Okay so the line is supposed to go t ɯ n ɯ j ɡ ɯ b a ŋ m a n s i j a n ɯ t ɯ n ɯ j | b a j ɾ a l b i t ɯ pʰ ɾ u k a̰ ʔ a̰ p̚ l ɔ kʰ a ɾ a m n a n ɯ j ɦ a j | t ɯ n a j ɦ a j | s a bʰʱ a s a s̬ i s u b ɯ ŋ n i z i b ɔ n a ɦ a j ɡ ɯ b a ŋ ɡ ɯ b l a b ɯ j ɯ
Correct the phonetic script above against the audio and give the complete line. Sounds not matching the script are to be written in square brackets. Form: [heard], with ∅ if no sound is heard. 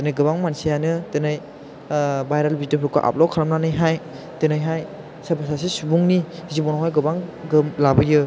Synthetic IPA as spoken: t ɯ n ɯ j ɡ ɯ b a ŋ m a n s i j a n ɯ t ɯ n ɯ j | b a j ɾ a l b i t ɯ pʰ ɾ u k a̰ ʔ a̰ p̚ l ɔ kʰ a ɾ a m n a n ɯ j ɦ a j | t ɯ n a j ɦ a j | s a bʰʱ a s a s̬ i s u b [u] ŋ n i z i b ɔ n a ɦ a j ɡ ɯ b a ŋ ɡ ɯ [m] l a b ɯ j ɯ